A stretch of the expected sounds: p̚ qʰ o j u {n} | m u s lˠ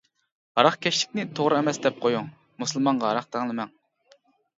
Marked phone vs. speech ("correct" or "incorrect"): incorrect